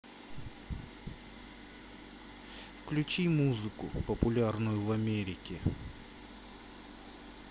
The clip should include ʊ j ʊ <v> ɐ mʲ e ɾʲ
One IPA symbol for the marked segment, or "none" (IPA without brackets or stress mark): v